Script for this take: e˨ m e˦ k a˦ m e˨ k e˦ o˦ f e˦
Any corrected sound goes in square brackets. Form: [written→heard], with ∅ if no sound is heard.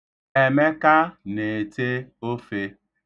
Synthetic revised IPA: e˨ m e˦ k a˦ [m→n] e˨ [k→t] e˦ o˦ f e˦